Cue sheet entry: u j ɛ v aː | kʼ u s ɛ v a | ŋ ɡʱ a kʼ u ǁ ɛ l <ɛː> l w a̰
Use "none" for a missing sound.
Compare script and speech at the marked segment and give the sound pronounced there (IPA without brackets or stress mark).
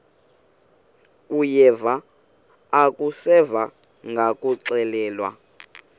ɛː